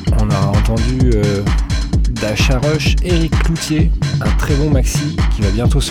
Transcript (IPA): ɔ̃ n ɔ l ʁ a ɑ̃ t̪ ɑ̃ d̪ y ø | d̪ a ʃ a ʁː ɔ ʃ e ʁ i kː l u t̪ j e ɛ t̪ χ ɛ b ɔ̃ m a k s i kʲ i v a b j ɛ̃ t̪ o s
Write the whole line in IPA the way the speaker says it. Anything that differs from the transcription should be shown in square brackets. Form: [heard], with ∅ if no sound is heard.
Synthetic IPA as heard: ɔ̃ n ɔ [∅] ʁ a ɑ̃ t̪ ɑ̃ d̪ y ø | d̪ a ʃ a [ʁ] ɔ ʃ e ʁ i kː l u t̪ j e [ɛ̃] t̪ χ ɛ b ɔ̃ m a k s i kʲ i v a b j ɛ̃ t̪ o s